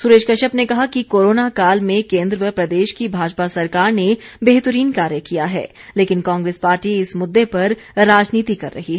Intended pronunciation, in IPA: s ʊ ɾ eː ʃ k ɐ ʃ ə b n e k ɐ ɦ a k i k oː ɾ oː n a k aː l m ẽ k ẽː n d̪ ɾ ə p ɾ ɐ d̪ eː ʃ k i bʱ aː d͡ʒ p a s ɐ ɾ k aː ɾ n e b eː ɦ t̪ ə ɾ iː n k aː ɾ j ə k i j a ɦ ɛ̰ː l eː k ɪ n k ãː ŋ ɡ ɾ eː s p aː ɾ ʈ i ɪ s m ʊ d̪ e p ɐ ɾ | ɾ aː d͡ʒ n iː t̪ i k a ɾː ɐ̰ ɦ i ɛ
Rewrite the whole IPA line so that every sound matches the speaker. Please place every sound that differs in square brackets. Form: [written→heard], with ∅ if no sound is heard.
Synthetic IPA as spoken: s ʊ ɾ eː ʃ k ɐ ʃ ə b n e k ɐ ɦ a k i k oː ɾ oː n a k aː l m ẽ k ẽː n d̪ ɾ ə p ɾ ɐ d̪ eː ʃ k i bʱ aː d͡ʒ p a s ɐ ɾ k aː ɾ n e b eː ɦ t̪ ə ɾ iː n k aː ɾ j ə k i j a ɦ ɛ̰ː l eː k ɪ n k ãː ŋ ɡ ɾ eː s p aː ɾ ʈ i ɪ s m ʊ [d̪→d̪ː] e p ɐ ɾ | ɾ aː d͡ʒ n iː t̪ i k [a→ɐ] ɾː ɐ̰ ɦ i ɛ